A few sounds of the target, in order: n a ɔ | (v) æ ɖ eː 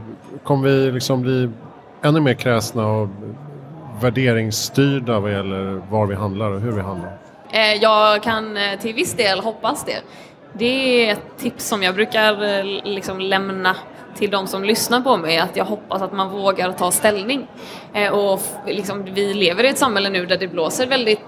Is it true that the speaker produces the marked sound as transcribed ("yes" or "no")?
yes